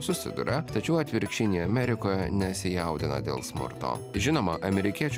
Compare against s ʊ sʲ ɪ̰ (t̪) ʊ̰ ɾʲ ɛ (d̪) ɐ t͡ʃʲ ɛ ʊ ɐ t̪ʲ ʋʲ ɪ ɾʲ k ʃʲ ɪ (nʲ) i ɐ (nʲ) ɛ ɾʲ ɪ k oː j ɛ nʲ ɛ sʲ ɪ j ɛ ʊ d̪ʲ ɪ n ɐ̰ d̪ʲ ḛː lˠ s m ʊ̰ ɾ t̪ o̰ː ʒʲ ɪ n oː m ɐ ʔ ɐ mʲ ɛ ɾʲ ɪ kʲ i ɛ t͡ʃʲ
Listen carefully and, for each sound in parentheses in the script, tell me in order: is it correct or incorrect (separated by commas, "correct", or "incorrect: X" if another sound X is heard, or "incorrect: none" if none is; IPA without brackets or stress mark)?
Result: incorrect: d̪, incorrect: t̪, correct, incorrect: mʲ